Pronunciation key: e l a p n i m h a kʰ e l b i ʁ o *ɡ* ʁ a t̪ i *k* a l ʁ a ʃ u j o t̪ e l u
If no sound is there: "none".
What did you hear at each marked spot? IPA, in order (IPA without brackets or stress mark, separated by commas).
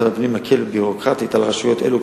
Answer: k, t